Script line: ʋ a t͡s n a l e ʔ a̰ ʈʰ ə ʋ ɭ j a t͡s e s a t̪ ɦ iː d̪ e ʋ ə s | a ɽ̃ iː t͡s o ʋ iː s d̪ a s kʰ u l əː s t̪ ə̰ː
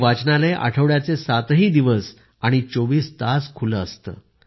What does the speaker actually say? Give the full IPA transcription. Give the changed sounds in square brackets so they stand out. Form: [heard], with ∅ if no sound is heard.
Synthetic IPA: ʋ a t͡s n a l e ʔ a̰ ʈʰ ə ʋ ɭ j a t͡s e s a t̪ ɦ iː d̪ [i] ʋ ə s | a ɽ̃ [i] t͡s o ʋ iː s [t̪] a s kʰ u l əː s t̪ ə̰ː

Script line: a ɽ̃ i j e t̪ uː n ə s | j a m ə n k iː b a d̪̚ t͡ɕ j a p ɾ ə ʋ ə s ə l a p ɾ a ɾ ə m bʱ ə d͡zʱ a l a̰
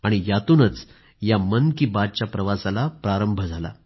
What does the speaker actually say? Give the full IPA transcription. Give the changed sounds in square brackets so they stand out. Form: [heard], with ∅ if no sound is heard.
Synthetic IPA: a ɽ̃ i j [a] t̪ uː n ə [t͡s] | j a m ə n k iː b a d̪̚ t͡ɕ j a p ɾ ə ʋ [a] s [a] l a p ɾ a ɾ ə m bʱ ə d͡zʱ a l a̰

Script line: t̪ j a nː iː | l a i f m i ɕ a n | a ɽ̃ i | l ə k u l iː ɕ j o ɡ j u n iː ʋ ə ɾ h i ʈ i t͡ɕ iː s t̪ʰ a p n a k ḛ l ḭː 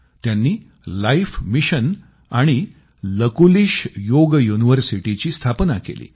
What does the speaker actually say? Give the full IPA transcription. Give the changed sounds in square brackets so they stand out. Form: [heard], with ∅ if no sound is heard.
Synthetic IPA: t̪ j a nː iː | l a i f m i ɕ [ə] n | a ɽ̃ i | l ə k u l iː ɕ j o ɡ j u n [i] ʋ ə ɾ [s] i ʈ i t͡ɕ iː s t̪ʰ a p n a k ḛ l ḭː

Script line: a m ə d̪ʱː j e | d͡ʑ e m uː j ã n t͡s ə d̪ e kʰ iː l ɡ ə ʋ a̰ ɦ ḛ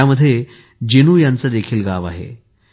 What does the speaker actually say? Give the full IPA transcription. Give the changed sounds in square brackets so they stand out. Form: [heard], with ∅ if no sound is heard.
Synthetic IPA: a m ə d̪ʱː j e | d͡ʑ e [n] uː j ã n t͡s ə d̪ e kʰ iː l ɡ [a] ʋ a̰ ɦ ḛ

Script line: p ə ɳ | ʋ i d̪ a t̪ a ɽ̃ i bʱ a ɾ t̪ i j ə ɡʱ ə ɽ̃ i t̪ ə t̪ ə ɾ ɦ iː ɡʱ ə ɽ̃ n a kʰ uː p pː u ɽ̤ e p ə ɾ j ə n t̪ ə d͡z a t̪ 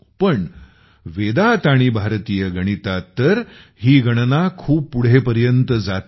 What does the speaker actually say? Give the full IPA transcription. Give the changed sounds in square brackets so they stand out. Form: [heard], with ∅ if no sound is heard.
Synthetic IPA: p ə ɳ | ʋ [e] d̪ a t̪ a ɽ̃ i bʱ a ɾ t̪ i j ə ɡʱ ə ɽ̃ i t̪ [a] t̪ ə ɾ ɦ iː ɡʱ ə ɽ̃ n a kʰ uː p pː u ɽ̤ e p ə ɾ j ə n t̪ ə d͡z a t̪

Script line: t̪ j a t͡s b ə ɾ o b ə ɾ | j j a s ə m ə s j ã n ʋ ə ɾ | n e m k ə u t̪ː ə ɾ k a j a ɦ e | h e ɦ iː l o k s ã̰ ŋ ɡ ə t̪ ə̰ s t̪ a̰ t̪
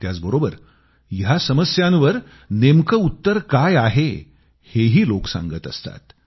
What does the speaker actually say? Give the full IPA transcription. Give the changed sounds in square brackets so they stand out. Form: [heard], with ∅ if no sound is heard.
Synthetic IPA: t̪ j a t͡s b ə ɾ o b ə ɾ | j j a s ə m ə s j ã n ʋ ə ɾ | n e m k ə u t̪ː ə ɾ k a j a ɦ e | h e ɦ iː l o k s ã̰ ŋ ɡ ə t̪ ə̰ s t̪ a̰ t̪

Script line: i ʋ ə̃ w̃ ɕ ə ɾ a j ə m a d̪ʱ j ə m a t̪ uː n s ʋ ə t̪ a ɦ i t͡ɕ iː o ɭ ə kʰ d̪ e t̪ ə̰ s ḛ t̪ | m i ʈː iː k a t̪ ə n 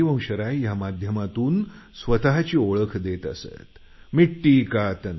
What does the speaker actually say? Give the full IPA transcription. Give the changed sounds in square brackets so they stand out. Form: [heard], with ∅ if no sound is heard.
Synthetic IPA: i ʋ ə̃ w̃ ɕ ə ɾ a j [a] m a d̪ʱ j ə m a t̪ uː n s ʋ ə t̪ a ɦ [a] t͡ɕ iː o ɭ ə kʰ d̪ e t̪ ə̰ s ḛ t̪ | m i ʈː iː k a t̪ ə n

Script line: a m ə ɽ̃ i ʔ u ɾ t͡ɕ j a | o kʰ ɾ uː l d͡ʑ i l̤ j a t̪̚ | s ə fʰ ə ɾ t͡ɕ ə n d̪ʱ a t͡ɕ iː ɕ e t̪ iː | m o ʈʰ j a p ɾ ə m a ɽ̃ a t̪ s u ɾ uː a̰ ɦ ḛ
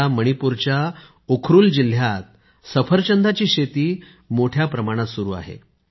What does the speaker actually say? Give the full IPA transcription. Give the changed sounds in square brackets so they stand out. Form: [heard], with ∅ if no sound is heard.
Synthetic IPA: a m ə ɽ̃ i [p] u ɾ t͡ɕ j a | o kʰ ɾ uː l d͡ʑ i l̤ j a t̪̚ | s ə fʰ ə ɾ t͡ɕ ə n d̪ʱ a t͡ɕ iː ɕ e t̪ iː | m o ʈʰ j a p ɾ ə m a ɽ̃ a t̪ s u ɾ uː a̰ ɦ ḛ

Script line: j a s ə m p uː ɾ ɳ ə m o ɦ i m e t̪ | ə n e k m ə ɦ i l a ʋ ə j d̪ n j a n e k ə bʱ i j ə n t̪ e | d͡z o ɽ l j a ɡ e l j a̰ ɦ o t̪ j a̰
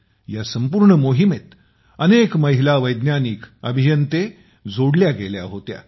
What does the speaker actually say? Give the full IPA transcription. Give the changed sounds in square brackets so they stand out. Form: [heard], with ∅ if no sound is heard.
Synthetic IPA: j a s ə m p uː ɾ ɳ ə m o ɦ i m e t̪ | ə n e k m ə ɦ i l a ʋ ə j d̪ n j a n [i] k ə bʱ i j ə n t̪ e | d͡z o ɽ l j a ɡ e l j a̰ ɦ o t̪ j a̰

